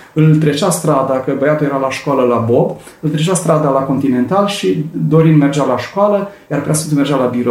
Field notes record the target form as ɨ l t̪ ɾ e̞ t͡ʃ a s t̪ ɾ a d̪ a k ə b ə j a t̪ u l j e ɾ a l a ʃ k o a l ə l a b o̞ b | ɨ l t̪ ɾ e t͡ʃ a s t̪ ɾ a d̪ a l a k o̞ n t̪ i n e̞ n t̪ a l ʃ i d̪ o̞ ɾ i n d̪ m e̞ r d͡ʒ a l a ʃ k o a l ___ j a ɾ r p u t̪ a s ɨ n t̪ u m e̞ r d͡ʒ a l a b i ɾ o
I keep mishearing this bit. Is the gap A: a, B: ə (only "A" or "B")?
B